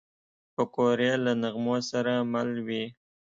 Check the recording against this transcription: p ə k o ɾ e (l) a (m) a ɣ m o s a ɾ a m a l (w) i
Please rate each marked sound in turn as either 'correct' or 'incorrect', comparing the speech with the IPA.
correct, incorrect: n, correct

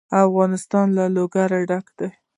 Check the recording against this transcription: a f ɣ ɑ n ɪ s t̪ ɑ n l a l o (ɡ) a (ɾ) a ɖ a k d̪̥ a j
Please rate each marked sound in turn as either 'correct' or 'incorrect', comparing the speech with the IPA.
correct, correct

